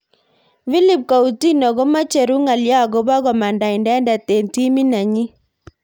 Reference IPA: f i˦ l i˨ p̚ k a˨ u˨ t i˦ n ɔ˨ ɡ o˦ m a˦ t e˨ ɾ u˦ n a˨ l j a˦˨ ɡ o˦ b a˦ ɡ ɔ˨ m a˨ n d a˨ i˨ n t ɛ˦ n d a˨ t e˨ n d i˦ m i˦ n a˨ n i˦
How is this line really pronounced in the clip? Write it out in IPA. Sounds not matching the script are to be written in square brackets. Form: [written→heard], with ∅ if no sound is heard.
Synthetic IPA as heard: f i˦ l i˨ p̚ k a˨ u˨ t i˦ n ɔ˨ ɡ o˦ m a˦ [t→t͡ʃ] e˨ ɾ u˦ [n→ŋ] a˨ l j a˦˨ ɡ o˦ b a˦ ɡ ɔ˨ m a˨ n d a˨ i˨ n [t→d] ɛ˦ n d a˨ t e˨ n [d→t] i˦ m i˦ n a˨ [n→ɲ] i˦